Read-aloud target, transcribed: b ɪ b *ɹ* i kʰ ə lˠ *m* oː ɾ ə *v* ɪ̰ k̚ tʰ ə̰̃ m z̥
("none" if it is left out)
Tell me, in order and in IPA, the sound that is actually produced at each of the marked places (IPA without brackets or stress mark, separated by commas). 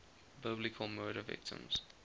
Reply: l, m, v